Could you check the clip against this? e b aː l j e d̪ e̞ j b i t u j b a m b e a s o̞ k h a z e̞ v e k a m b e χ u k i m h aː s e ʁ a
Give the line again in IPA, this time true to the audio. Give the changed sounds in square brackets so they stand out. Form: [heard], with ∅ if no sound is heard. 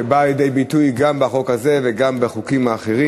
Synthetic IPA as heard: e b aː l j e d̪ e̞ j b i t u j [ɡ] a m b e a [χ] o̞ k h a z e̞ v e [ɡ] a m b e χ u k i m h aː [χ] e ʁ [i]